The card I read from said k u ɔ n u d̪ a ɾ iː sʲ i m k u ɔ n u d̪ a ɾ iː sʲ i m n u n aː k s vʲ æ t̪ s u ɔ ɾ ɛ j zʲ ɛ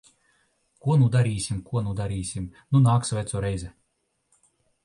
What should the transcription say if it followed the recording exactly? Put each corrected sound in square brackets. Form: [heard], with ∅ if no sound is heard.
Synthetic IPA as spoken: k u ɔ n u d̪ a ɾ iː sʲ i m k u ɔ n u d̪ a ɾ iː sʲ i m n u n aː k s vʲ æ t̪ s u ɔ ɾ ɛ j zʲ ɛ